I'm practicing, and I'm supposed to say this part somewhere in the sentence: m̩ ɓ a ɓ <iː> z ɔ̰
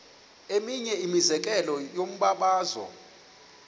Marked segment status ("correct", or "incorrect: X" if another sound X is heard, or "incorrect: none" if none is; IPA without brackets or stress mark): incorrect: aː